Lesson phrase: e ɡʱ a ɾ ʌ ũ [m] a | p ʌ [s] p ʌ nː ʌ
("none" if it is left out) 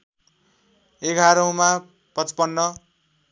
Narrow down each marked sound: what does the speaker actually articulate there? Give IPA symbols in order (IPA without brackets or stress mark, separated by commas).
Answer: m, t͡s